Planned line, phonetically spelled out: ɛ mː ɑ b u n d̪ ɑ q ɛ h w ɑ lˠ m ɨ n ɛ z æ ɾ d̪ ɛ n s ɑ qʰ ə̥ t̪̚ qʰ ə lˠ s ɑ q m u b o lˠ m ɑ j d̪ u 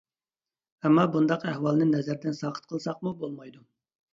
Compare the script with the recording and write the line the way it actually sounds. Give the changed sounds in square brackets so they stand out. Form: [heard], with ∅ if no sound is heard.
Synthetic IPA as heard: ɛ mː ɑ b u n d̪ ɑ q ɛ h w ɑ lˠ [n] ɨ n ɛ z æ ɾ d̪ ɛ n s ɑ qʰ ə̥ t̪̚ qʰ ə lˠ s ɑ q m u b o lˠ m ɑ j d̪ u